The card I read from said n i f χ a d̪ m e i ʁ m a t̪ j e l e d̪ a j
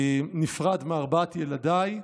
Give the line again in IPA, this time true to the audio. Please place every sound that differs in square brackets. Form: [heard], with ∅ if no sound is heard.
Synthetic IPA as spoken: n i f [ʁ] a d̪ m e [a] ʁ [b] a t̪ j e l [a] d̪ a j